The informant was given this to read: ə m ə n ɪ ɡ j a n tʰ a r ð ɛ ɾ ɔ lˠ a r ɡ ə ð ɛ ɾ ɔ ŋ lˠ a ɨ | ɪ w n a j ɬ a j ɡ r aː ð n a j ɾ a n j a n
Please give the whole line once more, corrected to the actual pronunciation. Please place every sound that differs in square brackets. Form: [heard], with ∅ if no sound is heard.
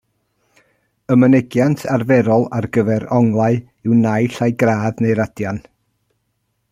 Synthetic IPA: ə m ə n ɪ ɡ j a n tʰ a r [v] ɛ ɾ ɔ lˠ a r ɡ ə [v] ɛ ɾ ɔ ŋ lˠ a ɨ | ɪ w n a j ɬ a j ɡ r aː ð n [e] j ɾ a [d] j a n